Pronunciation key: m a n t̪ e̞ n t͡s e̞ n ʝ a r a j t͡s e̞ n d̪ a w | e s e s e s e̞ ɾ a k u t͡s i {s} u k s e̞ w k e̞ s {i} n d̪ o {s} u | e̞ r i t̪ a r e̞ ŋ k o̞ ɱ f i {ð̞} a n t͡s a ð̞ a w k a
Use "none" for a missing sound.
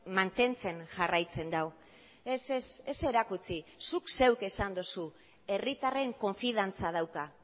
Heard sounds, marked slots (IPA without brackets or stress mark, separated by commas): s, a, s, ð̞